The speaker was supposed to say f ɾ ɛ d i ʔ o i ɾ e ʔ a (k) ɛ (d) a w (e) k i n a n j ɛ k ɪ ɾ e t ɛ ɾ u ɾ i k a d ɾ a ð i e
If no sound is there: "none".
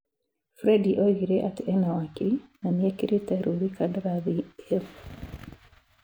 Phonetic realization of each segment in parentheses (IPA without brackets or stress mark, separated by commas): t, n, a